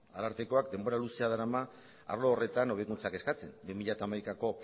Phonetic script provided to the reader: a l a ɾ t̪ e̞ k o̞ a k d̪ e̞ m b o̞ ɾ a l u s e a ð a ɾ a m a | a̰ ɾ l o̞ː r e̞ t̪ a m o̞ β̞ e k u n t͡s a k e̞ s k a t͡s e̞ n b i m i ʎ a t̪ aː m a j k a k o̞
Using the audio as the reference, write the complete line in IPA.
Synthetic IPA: a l a ɾ t̪ e̞ k o̞ a k d̪ e̞ m b o̞ ɾ a l u s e a ð a ɾ a m a | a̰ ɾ l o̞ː r e̞ t̪ a n o̞ β̞ e k u n t͡s a k e̞ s k a t͡s e̞ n b i m i ʎ a t̪ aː m a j k a k o̞